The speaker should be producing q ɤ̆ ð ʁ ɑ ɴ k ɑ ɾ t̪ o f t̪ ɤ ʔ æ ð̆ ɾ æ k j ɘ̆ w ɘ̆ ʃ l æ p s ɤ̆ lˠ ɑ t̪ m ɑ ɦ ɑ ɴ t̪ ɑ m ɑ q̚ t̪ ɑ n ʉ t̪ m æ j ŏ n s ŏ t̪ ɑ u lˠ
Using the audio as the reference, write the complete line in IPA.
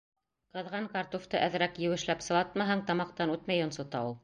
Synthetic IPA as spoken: q ɤ̆ ð ʁ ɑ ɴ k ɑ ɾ t̪ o f t̪ ɤ ʔ æ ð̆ ɾ æ k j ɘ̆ w ɘ̆ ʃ l æ p s ɤ̆ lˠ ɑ t̪ m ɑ ɦ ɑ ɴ t̪ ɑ m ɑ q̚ t̪ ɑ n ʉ t̪ m æ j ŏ n s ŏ t̪ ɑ u lˠ